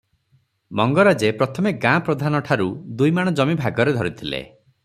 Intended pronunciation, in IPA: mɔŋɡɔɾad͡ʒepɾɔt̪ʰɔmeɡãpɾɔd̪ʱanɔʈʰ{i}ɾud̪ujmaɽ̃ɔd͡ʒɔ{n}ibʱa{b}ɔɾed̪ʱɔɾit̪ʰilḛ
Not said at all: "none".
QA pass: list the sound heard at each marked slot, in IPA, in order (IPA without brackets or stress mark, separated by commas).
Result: a, m, ɡ